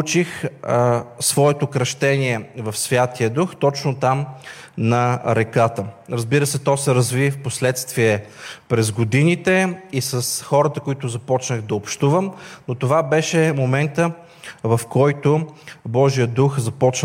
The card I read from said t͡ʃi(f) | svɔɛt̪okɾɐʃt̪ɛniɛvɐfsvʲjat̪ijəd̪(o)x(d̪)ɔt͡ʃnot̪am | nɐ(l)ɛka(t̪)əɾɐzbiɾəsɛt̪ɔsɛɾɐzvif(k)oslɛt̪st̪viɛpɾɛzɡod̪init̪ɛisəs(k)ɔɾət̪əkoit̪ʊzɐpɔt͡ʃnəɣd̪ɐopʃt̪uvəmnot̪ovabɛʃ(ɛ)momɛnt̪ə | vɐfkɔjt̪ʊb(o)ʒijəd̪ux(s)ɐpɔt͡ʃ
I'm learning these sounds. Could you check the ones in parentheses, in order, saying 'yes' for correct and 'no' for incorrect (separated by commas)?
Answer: no, no, no, no, yes, no, no, yes, no, no